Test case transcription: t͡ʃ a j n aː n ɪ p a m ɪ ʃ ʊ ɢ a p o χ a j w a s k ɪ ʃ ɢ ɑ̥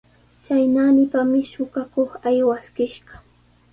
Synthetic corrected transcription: t͡ʃ a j n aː n ɪ p a m ɪ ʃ ʊ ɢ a k o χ a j w a s k ɪ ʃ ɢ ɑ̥